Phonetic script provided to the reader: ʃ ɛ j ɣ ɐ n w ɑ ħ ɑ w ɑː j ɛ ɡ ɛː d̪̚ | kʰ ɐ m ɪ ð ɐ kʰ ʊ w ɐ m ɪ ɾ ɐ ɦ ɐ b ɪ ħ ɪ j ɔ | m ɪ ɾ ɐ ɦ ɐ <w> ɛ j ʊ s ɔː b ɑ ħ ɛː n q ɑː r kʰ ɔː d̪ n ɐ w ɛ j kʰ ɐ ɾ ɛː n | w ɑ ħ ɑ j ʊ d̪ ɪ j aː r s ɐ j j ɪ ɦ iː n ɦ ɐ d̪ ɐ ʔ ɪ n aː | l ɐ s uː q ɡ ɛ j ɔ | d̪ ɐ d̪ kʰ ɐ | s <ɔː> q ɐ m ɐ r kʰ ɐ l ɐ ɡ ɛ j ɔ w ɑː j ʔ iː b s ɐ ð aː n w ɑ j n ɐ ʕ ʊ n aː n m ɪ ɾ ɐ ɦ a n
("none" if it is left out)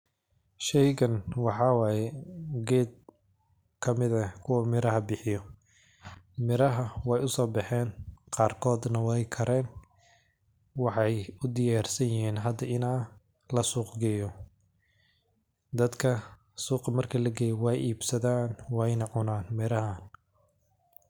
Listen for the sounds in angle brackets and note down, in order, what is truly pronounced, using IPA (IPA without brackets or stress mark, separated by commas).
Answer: w, uː